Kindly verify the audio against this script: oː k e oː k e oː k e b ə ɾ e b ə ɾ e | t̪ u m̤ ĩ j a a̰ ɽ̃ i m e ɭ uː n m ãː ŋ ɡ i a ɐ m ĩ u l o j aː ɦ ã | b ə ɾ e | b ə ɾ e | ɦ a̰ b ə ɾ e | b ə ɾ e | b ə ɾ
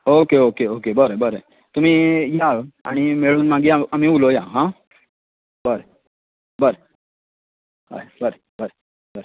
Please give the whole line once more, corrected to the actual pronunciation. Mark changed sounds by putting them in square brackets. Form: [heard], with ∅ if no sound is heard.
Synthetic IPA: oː k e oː k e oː k e b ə ɾ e b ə ɾ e | t̪ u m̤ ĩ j a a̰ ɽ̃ i m e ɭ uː n m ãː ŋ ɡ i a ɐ m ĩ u l o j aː ɦ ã | b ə ɾ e | b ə ɾ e | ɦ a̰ b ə ɾ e | b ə ɾ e | b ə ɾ